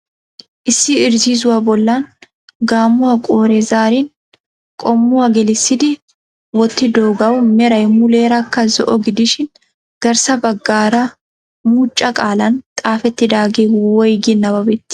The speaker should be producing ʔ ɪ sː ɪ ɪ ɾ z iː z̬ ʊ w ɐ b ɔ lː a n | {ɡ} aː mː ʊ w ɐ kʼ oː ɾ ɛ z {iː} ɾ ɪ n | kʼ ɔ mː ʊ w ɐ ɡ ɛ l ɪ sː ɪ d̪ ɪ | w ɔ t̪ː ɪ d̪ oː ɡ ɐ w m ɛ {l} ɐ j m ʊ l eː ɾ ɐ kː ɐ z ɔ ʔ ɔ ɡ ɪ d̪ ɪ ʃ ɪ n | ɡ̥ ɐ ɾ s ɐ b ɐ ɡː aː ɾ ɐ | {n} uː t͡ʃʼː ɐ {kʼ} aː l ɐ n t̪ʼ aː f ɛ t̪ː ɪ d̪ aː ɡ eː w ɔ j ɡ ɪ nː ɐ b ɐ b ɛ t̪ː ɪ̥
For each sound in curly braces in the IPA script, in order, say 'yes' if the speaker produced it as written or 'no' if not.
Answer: yes, no, no, no, yes

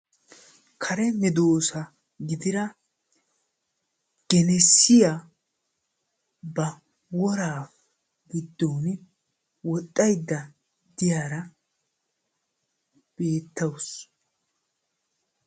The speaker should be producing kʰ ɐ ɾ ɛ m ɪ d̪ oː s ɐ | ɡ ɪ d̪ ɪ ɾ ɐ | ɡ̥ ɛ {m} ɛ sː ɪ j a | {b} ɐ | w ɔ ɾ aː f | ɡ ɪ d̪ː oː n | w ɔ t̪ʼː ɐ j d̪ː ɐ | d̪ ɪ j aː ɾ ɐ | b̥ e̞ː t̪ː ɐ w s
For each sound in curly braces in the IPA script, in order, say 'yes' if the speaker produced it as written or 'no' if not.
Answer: no, yes

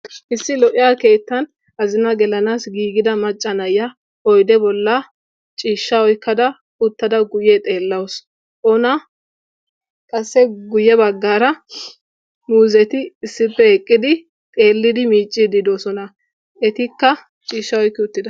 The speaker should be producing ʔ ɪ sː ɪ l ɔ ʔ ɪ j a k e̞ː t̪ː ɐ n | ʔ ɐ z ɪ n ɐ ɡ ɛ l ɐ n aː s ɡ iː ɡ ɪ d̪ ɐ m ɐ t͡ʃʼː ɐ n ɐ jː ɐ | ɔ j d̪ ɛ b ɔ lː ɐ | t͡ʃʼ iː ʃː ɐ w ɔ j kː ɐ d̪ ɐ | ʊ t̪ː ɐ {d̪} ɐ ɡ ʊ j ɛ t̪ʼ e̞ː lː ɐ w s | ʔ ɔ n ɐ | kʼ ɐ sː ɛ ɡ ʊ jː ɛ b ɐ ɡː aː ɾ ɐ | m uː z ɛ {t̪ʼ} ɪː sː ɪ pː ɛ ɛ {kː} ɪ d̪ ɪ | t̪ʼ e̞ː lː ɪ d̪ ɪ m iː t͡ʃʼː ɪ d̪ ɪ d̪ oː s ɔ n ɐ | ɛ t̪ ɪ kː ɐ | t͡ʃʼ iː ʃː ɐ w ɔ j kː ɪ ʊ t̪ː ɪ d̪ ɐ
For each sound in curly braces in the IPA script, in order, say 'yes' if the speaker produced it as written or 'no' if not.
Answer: yes, no, no

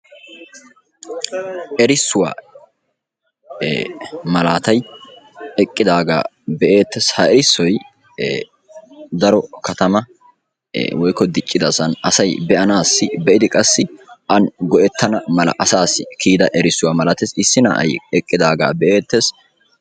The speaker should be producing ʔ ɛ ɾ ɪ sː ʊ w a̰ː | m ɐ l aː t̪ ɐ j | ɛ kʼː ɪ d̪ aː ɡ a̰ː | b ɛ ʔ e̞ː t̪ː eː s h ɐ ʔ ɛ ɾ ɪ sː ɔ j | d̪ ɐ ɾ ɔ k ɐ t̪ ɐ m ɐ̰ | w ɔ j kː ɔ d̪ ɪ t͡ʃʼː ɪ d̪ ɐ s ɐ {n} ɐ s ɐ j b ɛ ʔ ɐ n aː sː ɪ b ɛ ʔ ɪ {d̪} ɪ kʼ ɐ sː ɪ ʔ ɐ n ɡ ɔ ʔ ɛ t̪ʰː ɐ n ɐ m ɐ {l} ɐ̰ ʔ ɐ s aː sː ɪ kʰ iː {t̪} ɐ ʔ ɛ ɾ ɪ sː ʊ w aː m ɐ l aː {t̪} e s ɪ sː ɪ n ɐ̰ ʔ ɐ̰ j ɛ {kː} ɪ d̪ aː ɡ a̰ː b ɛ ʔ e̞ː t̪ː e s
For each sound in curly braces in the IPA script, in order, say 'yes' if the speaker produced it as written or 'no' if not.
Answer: yes, yes, yes, no, yes, no

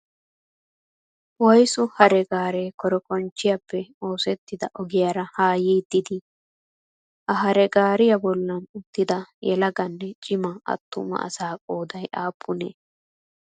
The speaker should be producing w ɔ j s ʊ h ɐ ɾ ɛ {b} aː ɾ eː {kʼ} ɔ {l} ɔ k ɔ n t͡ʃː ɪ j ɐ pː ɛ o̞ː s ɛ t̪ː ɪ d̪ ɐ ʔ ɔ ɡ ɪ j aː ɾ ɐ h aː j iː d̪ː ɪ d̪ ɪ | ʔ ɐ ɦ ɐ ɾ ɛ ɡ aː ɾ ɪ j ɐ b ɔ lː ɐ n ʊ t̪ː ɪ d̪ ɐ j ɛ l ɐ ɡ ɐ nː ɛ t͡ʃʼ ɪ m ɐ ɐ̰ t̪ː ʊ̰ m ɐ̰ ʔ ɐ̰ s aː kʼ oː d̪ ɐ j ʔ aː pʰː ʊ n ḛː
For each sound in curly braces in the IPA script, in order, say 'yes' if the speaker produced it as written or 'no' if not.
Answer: no, no, no

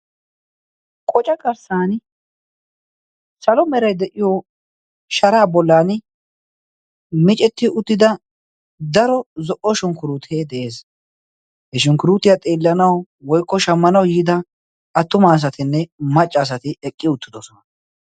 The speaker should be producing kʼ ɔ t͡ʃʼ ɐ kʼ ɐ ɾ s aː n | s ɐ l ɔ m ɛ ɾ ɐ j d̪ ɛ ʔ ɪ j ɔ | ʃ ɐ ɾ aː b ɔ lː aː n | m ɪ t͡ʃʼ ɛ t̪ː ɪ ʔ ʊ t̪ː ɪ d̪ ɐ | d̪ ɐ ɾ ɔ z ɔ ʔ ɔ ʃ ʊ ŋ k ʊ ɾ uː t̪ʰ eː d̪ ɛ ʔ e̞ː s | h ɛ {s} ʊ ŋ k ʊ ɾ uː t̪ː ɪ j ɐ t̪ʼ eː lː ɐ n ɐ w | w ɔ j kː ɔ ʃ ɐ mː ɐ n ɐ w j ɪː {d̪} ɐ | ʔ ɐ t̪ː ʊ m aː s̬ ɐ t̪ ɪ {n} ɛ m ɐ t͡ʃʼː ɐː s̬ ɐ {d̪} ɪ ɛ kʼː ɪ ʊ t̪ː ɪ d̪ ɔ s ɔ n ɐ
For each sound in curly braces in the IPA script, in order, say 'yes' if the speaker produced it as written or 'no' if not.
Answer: no, yes, no, no

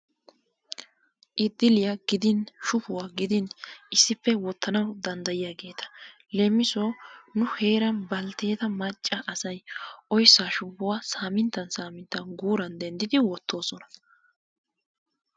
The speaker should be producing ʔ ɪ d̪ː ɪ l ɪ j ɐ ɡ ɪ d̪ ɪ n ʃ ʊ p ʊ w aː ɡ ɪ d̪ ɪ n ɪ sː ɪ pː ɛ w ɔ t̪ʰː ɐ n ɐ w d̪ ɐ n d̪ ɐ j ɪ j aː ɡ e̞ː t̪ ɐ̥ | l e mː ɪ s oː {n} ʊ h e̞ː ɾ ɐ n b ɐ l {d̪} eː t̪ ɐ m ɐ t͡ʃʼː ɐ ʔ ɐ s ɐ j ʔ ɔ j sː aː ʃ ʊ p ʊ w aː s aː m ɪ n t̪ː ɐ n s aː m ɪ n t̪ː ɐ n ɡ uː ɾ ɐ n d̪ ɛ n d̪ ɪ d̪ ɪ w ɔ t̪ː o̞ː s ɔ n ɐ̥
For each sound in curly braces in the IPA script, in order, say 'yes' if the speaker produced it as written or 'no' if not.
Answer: yes, no

